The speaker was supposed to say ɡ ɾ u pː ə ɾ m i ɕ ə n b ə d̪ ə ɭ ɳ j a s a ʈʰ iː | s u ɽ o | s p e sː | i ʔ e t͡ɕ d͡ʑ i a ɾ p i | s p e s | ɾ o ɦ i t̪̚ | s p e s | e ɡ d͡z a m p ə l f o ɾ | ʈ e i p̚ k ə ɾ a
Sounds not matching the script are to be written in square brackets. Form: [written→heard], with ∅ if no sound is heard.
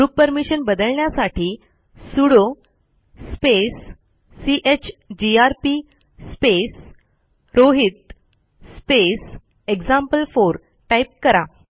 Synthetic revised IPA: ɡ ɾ u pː ə ɾ m i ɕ ə n b ə d̪ ə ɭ ɳ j a s a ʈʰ iː | s u ɽ o | s p e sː | i ʔ e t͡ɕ d͡ʑ i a ɾ p i | s p e s | ɾ o ɦ i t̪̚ | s p e s | e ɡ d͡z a m p ə l f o ɾ | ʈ [e→a] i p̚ k ə ɾ a